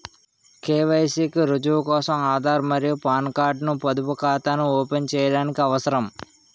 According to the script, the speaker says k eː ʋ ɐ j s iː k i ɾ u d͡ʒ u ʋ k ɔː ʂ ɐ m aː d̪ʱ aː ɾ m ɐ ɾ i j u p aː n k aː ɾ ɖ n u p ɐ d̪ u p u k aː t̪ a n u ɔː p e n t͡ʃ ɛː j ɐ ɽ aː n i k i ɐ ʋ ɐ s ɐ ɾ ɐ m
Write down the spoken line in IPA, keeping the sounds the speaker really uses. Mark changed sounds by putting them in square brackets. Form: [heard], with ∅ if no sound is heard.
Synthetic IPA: k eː ʋ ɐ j s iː k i ɾ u d͡ʒ u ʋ k ɔː [s] ɐ m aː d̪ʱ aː ɾ m ɐ ɾ i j u p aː n k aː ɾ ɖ n u p ɐ d̪ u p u k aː t̪ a n u ɔː p e n t͡ʃ ɛː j ɐ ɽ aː n i k i ɐ ʋ ɐ s ɐ ɾ ɐ m